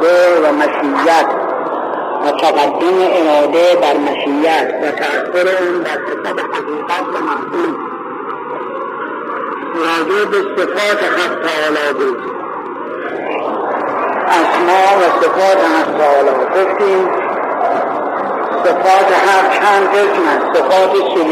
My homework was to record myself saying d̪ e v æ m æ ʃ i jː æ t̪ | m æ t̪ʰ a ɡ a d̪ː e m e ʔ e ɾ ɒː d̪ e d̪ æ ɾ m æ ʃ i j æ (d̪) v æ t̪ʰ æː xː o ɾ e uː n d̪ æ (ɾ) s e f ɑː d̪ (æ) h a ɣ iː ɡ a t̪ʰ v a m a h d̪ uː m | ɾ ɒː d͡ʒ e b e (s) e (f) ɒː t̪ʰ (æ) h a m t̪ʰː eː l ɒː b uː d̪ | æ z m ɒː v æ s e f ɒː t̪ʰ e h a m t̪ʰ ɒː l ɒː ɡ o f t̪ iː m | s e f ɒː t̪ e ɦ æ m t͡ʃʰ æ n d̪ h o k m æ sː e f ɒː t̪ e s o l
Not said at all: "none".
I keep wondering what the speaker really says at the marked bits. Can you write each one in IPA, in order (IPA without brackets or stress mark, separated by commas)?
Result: t̪, ɾ, e, s, f, e